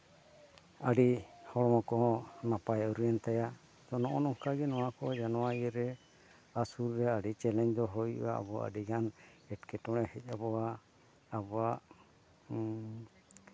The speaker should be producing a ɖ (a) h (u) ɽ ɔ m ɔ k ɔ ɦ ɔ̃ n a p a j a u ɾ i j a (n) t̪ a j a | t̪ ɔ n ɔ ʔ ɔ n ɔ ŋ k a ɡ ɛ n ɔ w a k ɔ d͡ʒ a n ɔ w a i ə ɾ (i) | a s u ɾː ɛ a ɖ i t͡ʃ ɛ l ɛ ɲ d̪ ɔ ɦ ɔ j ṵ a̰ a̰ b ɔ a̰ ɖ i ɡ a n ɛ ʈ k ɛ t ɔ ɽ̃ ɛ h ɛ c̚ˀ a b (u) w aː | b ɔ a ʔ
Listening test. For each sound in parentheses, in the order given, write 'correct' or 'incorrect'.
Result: incorrect: i, incorrect: ɔ, correct, incorrect: ɛ, incorrect: ɔ

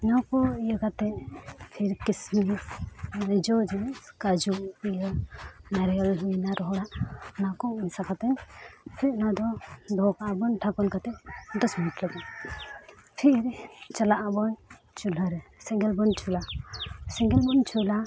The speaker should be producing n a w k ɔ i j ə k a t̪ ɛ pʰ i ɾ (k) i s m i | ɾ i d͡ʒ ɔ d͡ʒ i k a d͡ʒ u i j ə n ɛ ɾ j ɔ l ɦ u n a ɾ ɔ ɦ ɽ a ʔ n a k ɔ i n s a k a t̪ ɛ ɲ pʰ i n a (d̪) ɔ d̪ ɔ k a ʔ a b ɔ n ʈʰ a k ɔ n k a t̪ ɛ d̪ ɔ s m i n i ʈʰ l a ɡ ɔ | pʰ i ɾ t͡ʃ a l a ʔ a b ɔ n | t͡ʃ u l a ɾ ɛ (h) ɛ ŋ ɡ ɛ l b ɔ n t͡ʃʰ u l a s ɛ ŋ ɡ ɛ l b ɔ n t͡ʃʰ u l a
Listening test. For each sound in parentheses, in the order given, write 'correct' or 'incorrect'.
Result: correct, correct, incorrect: s

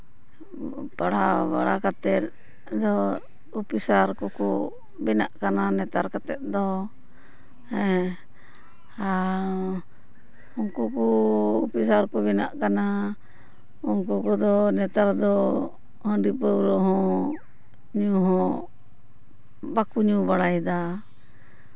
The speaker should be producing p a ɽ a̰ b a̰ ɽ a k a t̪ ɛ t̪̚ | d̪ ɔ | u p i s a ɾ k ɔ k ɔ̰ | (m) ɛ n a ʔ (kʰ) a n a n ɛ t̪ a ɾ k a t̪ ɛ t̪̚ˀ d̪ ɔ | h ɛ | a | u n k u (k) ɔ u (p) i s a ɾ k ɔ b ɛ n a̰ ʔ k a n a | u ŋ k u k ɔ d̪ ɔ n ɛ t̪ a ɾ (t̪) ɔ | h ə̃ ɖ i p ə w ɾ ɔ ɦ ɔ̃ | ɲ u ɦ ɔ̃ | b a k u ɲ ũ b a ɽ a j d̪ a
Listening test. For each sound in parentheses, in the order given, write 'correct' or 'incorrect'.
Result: incorrect: b, incorrect: k, correct, correct, incorrect: d̪

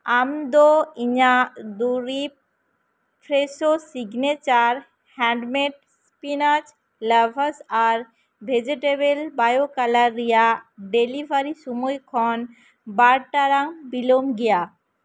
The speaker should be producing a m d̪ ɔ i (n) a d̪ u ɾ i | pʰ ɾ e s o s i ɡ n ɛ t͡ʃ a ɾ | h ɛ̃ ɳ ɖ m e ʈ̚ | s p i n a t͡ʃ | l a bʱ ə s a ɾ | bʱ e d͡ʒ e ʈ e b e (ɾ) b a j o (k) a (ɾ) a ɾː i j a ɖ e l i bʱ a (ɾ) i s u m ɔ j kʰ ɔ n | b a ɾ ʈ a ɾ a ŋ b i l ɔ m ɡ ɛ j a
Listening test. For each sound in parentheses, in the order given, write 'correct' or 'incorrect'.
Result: incorrect: ɲ, incorrect: l, correct, incorrect: l, correct

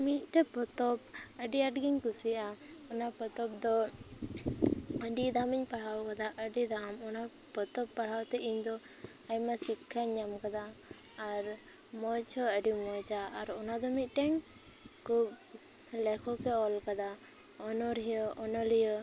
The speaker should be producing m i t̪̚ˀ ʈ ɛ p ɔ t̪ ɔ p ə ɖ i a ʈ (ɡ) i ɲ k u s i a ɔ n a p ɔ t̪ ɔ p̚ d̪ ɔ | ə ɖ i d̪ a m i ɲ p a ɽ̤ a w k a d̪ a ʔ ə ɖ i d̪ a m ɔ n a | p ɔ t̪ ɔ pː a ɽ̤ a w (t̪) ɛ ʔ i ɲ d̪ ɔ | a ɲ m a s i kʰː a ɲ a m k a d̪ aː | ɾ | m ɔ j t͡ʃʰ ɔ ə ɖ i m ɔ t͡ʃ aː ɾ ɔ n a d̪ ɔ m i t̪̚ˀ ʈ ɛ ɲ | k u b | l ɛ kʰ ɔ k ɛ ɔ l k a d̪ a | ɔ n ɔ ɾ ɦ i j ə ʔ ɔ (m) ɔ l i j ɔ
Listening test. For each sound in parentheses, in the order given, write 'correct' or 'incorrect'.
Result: correct, correct, incorrect: n

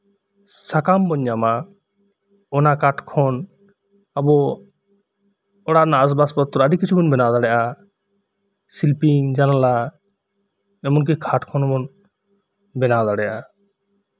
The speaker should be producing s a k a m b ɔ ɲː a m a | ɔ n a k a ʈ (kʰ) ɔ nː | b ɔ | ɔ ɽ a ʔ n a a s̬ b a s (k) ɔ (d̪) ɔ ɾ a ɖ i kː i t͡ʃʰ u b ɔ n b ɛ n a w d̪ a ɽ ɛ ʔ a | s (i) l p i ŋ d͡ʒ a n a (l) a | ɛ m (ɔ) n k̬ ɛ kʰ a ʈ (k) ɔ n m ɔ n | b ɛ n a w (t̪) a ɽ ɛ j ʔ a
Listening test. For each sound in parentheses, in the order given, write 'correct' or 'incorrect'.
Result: correct, incorrect: p, incorrect: t̪, correct, correct, correct, incorrect: kʰ, incorrect: d̪

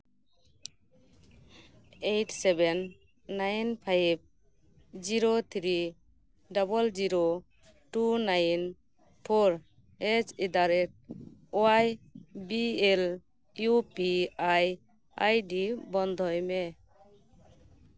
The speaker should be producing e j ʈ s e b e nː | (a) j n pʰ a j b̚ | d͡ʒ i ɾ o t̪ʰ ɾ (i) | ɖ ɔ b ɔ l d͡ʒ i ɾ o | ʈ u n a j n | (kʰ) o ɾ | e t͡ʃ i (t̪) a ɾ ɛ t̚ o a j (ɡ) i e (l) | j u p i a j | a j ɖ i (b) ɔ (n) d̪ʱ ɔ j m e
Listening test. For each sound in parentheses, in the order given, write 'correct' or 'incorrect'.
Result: correct, correct, incorrect: pʰ, incorrect: d̪, incorrect: b, correct, correct, correct

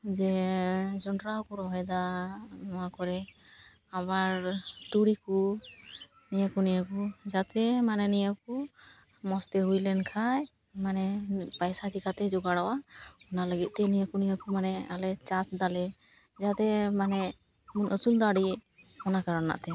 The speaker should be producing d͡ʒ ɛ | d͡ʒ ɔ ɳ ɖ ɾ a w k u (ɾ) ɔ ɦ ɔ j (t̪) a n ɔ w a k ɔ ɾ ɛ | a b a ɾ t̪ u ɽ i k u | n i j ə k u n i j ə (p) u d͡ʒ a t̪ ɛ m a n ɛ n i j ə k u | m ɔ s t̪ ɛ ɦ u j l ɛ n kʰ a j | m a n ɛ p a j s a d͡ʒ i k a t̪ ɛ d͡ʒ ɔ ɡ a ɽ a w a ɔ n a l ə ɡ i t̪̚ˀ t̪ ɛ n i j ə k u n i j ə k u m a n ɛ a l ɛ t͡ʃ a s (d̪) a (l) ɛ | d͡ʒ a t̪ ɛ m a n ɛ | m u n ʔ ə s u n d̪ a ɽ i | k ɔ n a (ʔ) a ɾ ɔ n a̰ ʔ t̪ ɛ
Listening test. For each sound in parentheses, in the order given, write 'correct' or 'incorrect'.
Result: correct, incorrect: d̪, incorrect: k, correct, correct, incorrect: k

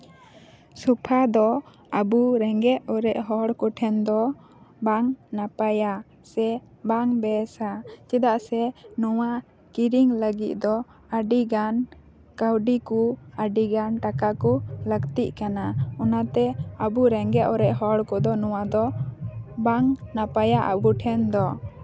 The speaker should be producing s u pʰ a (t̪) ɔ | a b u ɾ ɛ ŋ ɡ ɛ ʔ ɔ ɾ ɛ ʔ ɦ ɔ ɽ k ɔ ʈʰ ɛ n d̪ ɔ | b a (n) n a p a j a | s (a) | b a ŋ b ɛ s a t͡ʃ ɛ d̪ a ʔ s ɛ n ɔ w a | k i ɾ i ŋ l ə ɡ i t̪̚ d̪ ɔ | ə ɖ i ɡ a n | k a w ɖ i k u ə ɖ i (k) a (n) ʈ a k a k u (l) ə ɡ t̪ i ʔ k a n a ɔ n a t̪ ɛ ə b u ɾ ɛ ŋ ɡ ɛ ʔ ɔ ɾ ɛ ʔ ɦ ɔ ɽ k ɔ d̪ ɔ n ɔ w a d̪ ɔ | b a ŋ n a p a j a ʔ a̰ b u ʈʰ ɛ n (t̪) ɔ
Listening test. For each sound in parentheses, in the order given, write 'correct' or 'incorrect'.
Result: incorrect: d̪, incorrect: ŋ, incorrect: ɛ, incorrect: ɡ, correct, correct, incorrect: d̪

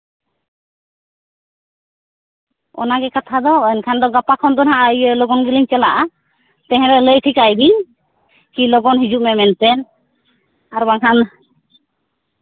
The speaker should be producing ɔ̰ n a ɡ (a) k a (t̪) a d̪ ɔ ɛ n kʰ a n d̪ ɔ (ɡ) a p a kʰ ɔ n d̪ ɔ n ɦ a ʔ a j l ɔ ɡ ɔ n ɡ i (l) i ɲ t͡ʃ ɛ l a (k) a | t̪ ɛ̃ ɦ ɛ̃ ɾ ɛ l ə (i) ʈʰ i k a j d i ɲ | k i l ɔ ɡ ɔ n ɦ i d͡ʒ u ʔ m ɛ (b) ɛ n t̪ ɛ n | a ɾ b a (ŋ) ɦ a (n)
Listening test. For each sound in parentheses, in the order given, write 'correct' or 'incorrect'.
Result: incorrect: ɛ, incorrect: t̪ʰ, correct, correct, incorrect: ʔ, incorrect: j, incorrect: m, correct, correct

